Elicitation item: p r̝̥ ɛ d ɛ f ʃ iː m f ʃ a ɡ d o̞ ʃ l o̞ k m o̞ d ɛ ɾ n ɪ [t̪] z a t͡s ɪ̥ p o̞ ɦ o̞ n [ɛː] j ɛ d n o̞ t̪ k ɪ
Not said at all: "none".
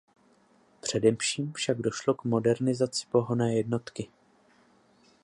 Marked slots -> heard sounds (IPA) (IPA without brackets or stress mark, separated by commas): none, ɛː